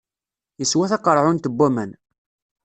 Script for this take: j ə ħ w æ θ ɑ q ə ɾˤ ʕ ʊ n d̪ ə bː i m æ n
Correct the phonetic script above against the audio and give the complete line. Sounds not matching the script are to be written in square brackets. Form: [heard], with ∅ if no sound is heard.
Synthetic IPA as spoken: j ə [s] w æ θ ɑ q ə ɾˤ ʕ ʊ n [t̪] ə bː [æ] m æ n